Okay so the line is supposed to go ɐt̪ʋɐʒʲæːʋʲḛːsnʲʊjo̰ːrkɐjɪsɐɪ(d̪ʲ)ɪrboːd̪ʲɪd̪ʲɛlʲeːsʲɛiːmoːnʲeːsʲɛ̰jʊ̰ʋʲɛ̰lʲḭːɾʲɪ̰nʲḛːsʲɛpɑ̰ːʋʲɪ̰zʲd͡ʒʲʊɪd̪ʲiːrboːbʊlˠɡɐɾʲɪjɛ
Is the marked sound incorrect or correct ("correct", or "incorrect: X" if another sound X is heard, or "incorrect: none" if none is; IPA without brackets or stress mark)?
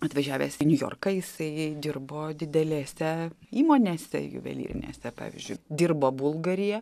correct